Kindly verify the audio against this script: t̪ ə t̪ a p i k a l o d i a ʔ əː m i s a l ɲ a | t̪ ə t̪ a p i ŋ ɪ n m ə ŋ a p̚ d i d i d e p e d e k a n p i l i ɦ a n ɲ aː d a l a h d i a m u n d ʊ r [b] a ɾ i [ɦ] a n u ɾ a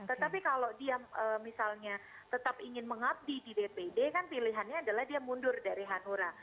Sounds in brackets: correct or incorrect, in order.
incorrect: d, correct

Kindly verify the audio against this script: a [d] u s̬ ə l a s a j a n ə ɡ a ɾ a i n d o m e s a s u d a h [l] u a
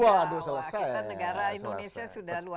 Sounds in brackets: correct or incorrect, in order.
correct, correct

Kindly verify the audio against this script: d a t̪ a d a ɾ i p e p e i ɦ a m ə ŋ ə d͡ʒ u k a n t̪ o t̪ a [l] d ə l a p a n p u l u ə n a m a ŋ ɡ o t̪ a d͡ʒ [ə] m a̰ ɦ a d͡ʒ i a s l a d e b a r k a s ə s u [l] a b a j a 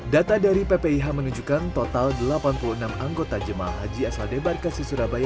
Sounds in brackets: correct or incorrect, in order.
correct, correct, incorrect: ɾ

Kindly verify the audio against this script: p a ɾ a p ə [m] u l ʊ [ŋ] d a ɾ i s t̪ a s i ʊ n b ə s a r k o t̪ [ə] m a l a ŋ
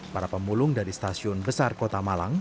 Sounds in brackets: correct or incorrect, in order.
correct, correct, incorrect: a

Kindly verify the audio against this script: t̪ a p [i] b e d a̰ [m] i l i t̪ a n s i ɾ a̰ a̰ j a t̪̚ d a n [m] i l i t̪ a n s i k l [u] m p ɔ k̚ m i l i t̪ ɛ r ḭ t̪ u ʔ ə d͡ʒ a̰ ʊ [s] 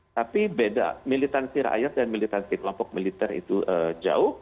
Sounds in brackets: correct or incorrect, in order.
correct, correct, correct, incorrect: ɔ, incorrect: h

